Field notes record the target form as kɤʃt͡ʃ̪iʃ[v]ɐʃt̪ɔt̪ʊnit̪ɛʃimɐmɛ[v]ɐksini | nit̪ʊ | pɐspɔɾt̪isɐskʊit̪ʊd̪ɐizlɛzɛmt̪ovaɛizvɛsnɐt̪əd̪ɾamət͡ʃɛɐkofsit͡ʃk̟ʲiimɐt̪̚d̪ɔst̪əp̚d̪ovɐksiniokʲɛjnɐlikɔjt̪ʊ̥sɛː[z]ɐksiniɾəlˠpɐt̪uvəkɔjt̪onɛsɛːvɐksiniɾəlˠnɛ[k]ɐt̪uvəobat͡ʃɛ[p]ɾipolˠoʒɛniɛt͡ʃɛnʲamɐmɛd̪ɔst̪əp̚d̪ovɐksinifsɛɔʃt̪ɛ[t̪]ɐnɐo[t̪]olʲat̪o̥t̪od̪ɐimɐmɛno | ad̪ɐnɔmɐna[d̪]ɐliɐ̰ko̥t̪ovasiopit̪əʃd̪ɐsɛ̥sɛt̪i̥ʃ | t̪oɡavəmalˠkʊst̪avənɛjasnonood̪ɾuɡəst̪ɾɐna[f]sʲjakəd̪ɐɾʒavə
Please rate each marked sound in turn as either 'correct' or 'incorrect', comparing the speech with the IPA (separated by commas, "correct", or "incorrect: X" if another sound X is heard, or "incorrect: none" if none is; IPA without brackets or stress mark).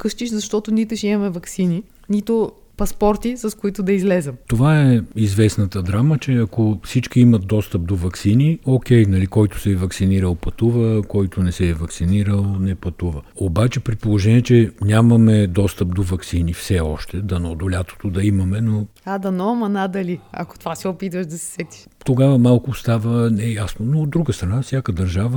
incorrect: z, correct, incorrect: v, incorrect: p, correct, incorrect: d̪, incorrect: d̪, correct, correct